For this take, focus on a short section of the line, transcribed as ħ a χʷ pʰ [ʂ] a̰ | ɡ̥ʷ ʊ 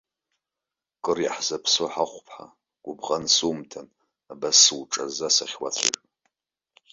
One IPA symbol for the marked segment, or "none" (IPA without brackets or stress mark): ħ